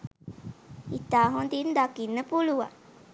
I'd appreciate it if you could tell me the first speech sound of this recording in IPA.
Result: i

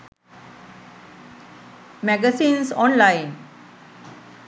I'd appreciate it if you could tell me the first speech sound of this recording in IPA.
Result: m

